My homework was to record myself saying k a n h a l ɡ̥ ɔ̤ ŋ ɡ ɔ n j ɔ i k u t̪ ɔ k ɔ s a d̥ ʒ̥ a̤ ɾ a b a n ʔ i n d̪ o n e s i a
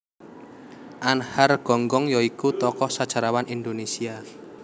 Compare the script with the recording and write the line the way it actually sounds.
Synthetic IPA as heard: ʔ a n h a r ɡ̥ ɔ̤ ŋ ɡ ɔ ŋ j ɔ i k u t̪ ɔ k ɔ s a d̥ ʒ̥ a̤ ɾ a w a n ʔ i n d̪ o n e s i a